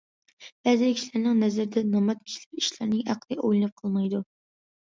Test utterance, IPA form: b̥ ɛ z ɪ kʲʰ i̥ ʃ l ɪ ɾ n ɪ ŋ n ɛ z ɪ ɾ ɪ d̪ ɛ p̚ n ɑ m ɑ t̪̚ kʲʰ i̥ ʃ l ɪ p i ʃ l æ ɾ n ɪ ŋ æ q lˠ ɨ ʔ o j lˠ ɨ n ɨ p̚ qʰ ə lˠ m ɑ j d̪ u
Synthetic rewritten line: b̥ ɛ z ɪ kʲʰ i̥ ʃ l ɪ ɾ n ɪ ŋ n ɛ z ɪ ɾ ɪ d̪ ɛ n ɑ m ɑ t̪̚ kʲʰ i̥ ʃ l ɪ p i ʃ l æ ɾ n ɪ ŋ æ q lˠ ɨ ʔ o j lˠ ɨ n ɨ p̚ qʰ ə lˠ m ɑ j d̪ u